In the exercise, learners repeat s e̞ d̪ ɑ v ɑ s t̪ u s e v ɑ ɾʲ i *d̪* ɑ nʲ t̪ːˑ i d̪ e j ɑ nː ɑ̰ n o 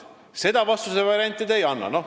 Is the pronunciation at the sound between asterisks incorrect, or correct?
incorrect: none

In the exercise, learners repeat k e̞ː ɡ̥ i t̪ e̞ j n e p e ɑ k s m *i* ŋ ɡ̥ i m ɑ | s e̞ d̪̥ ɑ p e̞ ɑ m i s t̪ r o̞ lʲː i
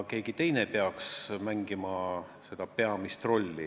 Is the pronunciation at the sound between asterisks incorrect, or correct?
incorrect: æ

